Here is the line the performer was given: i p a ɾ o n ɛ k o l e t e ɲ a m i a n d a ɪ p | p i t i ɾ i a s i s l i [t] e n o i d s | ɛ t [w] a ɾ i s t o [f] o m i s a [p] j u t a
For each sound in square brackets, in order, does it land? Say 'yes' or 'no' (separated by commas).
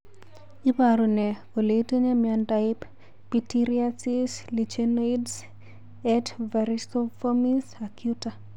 no, no, yes, no